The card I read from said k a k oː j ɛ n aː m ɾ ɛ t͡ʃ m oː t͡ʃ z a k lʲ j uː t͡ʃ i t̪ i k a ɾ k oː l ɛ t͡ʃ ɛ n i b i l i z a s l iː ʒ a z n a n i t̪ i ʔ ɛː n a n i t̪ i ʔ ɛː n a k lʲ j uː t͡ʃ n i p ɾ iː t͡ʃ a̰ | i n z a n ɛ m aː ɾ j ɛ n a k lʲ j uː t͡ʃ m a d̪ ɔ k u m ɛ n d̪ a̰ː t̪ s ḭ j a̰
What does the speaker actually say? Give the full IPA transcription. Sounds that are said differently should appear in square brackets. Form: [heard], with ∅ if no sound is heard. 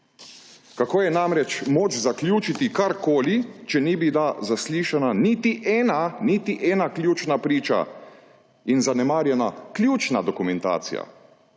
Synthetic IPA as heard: k a k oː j ɛ n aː m ɾ ɛ t͡ʃ m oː t͡ʃ z a k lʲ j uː t͡ʃ i t̪ i k a ɾ k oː l [i] t͡ʃ ɛ n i b i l [a] z a s l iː [ʃ] a [∅] n a n i t̪ i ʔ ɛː n a n i t̪ i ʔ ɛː n a k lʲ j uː t͡ʃ n [a] p ɾ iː t͡ʃ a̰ | i n z a n ɛ m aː ɾ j ɛ n a k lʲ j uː t͡ʃ [n] a d̪ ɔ k u m ɛ n [t̪] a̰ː t̪ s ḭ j a̰

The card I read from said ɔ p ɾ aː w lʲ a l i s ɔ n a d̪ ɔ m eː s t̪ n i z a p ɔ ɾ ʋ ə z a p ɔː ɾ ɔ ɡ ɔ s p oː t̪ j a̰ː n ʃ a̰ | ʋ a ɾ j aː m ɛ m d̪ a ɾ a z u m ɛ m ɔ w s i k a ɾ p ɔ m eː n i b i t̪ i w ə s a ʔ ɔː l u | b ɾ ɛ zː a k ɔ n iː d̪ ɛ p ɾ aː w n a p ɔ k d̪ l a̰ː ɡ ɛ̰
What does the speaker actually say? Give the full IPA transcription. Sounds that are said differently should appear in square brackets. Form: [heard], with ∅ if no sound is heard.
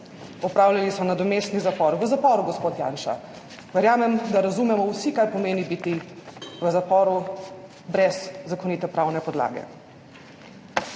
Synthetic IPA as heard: ɔ p ɾ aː w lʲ a l i s ɔ n a d̪ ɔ m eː s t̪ n i z a p ɔ ɾ ʋ ə z a p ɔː ɾ [u] ɡ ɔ s p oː t̪ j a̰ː n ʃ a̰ | ʋ [ɛ] ɾ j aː m ɛ m d̪ a ɾ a z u m ɛ m ɔ w s i k a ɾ p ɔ m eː n i b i t̪ i [ʋ] ə [z] a [p] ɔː [ɾ] u | b ɾ ɛ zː a k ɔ n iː [t̪] ɛ p ɾ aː w n [ɛ] p ɔ [∅] d̪ l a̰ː ɡ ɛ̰

